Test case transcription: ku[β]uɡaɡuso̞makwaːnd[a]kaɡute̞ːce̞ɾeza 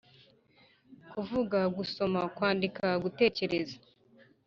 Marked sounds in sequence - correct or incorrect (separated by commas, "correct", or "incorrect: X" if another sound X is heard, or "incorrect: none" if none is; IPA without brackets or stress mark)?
incorrect: v, incorrect: i